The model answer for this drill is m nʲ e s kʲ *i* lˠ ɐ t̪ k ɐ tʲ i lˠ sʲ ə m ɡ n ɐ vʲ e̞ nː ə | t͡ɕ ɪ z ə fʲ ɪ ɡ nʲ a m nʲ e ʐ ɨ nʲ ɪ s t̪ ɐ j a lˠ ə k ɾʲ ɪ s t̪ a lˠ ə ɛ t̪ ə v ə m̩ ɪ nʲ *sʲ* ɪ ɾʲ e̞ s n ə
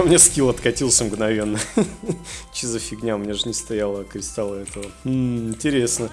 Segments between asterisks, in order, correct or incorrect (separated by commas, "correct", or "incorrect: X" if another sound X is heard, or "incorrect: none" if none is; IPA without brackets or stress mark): correct, incorrect: tʲ